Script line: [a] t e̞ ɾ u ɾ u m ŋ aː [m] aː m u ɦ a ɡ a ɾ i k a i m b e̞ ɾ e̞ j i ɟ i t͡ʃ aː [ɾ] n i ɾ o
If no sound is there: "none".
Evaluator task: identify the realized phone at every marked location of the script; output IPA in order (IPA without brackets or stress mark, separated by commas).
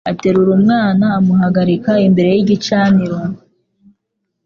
a, n, none